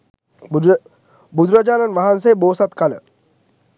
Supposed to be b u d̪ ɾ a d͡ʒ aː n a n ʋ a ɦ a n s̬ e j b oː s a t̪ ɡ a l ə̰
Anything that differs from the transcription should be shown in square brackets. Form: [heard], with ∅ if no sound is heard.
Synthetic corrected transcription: b u d̪ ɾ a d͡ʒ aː n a n ʋ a ɦ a n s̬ e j b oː s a t̪ [k] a l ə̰